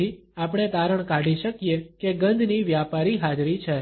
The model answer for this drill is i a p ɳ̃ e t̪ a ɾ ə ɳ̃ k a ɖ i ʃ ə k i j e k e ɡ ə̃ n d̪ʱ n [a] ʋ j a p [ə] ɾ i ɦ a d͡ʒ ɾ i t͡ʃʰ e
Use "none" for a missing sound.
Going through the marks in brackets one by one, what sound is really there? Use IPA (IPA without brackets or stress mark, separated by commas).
i, a